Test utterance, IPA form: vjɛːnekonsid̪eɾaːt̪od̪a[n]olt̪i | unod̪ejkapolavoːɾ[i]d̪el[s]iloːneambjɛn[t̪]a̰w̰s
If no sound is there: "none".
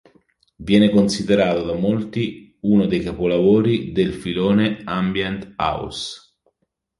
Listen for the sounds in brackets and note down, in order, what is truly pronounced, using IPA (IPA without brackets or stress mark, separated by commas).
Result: m, i, f, t̪